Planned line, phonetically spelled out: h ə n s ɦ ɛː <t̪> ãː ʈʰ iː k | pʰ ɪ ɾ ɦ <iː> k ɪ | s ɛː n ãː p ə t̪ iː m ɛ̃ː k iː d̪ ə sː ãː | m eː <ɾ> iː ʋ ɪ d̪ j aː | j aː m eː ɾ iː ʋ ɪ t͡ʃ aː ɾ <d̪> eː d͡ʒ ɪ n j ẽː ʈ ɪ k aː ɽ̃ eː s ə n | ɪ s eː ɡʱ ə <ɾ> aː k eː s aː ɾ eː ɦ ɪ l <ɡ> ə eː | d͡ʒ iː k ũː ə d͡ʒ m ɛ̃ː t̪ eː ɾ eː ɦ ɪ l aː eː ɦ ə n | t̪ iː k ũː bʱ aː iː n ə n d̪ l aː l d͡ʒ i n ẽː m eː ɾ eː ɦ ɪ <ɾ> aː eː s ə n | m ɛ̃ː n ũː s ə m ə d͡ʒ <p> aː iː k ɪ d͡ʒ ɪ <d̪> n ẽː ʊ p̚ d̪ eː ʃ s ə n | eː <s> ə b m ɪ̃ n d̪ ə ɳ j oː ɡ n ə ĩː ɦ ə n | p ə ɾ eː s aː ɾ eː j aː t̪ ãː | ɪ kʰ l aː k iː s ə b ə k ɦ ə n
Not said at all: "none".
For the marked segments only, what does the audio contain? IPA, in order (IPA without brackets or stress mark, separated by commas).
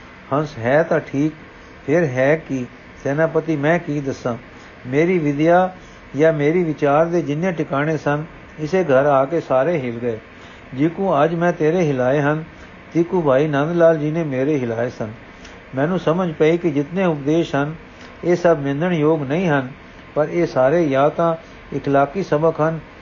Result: t̪, ɛː, ɾ, d̪, ɾ, ɡ, l, p, t̪, s